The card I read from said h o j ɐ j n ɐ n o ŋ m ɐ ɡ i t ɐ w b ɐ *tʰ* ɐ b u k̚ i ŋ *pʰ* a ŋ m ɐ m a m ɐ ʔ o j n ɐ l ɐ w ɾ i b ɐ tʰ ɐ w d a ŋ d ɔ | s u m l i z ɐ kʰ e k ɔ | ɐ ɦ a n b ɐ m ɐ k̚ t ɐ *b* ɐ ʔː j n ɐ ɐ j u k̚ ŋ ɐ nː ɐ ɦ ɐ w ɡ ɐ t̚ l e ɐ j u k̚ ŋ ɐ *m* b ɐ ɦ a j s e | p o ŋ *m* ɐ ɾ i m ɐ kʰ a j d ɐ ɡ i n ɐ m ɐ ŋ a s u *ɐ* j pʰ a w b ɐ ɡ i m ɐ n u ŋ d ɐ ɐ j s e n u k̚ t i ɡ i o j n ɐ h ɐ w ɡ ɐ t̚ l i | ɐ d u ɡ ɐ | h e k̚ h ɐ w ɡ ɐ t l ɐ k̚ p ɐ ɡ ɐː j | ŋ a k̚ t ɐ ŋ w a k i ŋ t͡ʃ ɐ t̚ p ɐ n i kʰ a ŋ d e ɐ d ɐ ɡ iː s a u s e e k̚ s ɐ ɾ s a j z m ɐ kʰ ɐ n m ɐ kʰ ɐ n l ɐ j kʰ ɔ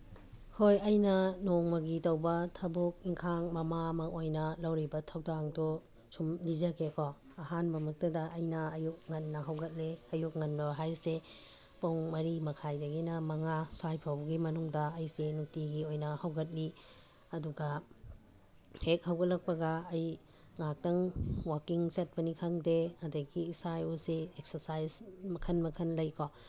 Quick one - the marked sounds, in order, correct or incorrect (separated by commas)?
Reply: correct, incorrect, incorrect, incorrect, correct, incorrect